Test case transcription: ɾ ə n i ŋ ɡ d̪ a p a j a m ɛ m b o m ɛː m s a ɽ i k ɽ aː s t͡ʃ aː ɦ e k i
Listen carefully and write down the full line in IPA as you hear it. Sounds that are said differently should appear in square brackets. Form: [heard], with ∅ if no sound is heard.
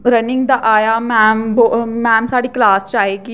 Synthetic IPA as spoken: ɾ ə n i ŋ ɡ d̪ a [ʔ] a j a m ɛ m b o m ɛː m s a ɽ i k [l] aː s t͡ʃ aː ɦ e k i